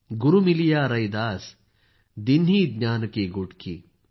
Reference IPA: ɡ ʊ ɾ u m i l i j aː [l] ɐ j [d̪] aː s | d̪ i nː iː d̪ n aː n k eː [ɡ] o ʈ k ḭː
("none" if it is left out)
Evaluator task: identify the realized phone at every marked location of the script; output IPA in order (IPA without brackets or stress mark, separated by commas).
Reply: ɾ, d̪, ɡ